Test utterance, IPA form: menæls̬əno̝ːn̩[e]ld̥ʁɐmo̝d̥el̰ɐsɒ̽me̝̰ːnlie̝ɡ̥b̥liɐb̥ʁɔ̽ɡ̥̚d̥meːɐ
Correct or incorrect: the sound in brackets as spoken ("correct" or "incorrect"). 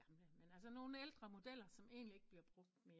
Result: correct